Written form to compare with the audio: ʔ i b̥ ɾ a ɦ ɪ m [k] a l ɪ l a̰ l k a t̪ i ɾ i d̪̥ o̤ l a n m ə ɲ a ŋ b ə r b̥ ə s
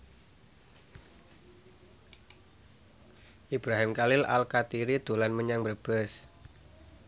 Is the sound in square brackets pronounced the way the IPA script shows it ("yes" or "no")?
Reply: yes